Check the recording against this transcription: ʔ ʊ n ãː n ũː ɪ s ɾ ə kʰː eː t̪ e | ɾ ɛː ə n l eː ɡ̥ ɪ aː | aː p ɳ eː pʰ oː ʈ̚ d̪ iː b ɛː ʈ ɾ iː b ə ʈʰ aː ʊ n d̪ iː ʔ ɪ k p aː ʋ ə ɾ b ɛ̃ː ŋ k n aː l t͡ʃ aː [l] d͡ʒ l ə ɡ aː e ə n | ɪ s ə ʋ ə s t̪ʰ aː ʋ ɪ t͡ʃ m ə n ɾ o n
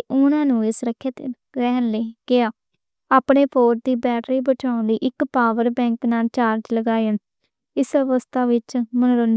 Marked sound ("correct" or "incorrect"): incorrect